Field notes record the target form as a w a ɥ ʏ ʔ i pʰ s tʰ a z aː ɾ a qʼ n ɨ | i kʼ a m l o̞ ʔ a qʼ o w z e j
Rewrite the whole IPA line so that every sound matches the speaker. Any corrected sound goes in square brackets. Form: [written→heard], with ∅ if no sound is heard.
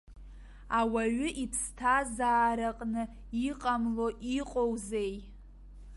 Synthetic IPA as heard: a w a ɥ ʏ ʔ i pʰ s tʰ a z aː ɾ a qʼ n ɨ | i [kʼ→qʼ] a m l o̞ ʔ [a→i] qʼ o w z e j

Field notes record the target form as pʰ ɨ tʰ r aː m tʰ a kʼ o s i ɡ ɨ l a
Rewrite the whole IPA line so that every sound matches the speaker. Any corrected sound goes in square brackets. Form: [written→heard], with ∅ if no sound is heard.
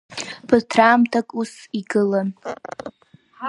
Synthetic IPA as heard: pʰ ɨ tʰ r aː m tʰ a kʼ [o→u] s i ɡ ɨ l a

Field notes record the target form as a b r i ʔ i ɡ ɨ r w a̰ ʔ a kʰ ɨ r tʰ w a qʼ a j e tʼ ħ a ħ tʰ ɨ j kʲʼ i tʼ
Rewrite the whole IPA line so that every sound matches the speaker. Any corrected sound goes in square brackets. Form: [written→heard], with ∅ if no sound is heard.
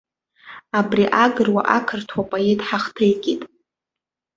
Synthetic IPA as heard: a b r i ʔ [i→a] ɡ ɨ r w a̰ ʔ a kʰ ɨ r tʰ w a [qʼ→pʼ] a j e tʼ ħ a [ħ→χ] tʰ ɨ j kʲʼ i tʼ

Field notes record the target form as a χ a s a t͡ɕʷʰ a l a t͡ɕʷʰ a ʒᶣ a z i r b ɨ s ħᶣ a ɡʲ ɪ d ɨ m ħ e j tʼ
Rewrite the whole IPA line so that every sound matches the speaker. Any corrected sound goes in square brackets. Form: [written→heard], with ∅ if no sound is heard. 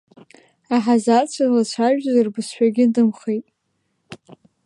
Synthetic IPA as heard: a [χ→ħ] a [s→z] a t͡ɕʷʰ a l a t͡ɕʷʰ a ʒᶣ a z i r b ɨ s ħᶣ a ɡʲ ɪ d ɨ m [ħ→χ] e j tʼ

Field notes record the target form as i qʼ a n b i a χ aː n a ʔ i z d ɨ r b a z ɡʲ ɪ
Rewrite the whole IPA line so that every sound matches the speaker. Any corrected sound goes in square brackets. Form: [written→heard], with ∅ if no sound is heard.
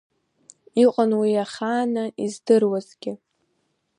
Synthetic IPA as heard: i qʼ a n [b→w] i a χ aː n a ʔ i z d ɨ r [b→w] a z ɡʲ ɪ

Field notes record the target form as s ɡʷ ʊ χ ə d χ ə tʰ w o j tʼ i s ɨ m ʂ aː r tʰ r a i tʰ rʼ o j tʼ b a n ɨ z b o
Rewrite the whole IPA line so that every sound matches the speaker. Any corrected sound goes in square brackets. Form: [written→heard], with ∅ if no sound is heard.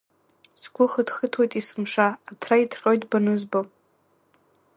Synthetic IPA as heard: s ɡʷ ʊ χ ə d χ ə tʰ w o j tʼ i s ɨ m ʂ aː [r→∅] tʰ r a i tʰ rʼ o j tʼ b a n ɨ z b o

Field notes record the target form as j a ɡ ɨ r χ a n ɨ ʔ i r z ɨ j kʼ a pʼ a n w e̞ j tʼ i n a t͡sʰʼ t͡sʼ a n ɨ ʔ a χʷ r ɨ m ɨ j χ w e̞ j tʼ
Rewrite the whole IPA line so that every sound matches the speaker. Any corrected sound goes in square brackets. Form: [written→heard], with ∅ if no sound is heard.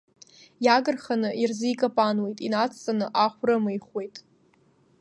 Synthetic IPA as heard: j a ɡ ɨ r χ a n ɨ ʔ i r z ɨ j kʼ a pʼ a n w e̞ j tʼ i n a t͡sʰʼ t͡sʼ a n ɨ ʔ a χʷ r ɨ m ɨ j χ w e̞ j tʼ

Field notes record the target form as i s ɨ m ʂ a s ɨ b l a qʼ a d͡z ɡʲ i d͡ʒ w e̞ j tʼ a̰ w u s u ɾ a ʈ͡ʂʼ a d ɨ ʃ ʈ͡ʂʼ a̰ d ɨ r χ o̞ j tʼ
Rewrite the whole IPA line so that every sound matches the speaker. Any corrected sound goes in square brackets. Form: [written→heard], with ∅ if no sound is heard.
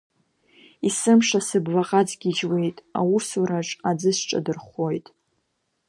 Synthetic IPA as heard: i s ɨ m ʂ a s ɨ b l a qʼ a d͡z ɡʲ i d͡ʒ w e̞ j tʼ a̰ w u s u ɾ a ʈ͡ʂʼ a [d→d͡z] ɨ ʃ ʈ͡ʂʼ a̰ d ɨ r χ o̞ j tʼ

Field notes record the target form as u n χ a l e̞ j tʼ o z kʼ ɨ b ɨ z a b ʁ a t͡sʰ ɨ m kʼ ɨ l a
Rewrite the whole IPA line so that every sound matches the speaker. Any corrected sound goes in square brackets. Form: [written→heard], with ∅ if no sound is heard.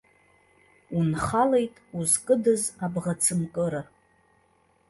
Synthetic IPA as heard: u n χ a l e̞ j tʼ [o→u] z kʼ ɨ [b→d] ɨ z a b ʁ a t͡sʰ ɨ m kʼ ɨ [l→ɾ] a

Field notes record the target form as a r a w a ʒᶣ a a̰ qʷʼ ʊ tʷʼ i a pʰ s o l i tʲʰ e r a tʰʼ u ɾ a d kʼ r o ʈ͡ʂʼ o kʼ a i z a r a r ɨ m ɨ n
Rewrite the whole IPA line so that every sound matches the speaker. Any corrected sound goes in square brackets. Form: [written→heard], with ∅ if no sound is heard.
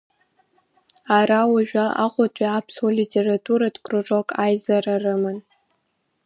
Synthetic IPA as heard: a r a w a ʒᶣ a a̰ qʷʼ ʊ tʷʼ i a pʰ s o l i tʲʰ e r a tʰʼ u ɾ a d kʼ r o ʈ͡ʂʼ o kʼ a [i→j] z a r a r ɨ m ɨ n

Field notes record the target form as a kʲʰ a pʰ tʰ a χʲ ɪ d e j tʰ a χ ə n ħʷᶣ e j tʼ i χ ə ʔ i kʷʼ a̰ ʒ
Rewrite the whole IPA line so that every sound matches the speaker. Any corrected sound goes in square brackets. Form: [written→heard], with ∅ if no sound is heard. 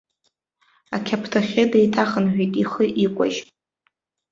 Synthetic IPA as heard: a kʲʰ a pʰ tʰ a χʲ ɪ d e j tʰ a χ ə n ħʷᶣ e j tʼ i χ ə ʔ i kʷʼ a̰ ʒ

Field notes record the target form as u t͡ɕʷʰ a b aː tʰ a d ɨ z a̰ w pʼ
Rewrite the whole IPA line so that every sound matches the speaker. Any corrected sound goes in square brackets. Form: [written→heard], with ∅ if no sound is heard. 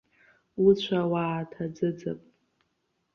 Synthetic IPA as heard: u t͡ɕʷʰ a [b→w] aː tʰ a [d→d͡z] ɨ [z→d͡z] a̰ [w→∅] pʼ

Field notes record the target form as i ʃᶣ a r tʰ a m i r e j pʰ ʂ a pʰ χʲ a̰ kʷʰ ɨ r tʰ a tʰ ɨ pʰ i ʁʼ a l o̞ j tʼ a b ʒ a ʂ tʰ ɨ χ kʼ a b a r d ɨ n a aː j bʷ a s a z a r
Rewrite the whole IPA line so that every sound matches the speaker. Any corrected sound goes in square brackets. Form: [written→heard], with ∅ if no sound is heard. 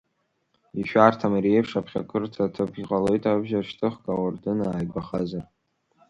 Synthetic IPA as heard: i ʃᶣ a r tʰ a m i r e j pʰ ʂ a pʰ χʲ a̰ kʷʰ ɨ r tʰ a tʰ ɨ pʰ i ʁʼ a l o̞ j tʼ a b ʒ a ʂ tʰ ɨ χ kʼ a [b→w] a r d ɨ n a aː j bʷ a [s→χ] a z a r

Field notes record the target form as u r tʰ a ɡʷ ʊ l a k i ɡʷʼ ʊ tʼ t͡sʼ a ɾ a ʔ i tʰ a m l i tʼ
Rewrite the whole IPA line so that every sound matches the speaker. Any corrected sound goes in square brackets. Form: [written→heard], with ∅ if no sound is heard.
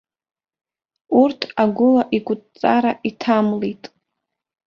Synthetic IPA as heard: u r tʰ a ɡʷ ʊ l a [k→ʔ] i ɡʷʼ ʊ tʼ t͡sʼ a ɾ a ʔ i tʰ a m l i tʼ

